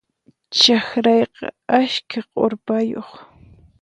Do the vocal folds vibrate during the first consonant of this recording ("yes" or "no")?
no